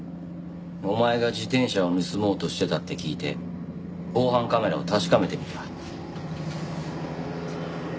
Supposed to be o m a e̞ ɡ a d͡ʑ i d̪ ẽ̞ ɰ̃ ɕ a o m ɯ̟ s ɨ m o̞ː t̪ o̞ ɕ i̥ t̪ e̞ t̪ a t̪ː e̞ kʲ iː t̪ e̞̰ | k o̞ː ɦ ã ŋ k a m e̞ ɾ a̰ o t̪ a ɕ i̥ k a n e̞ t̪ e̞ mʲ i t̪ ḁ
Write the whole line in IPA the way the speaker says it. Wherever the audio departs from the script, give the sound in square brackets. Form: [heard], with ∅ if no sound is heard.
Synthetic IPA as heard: o m a e̞ ɡ a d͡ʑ i [t̪] ẽ̞ ɰ̃ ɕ a o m ɯ̟ s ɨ m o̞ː t̪ o̞ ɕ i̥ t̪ e̞ t̪ a t̪ː e̞ kʲ iː t̪ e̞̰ | k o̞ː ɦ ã ŋ k a m e̞ ɾ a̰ o t̪ a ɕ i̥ k a [m] e̞ t̪ e̞ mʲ i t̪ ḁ